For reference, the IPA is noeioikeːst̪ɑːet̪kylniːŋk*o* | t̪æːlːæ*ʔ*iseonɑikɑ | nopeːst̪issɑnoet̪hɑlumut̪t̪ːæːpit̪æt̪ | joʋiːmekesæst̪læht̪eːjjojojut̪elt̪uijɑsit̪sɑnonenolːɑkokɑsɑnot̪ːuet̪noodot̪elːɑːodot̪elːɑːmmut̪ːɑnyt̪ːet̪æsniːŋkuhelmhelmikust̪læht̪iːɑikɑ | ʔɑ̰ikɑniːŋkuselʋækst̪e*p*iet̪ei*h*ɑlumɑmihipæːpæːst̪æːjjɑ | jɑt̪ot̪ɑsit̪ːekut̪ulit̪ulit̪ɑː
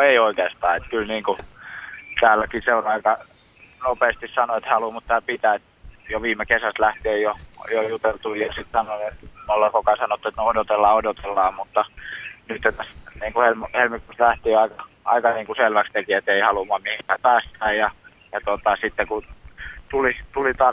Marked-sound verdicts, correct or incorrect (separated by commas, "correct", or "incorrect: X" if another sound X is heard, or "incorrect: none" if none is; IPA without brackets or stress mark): incorrect: u, incorrect: k, incorrect: k, correct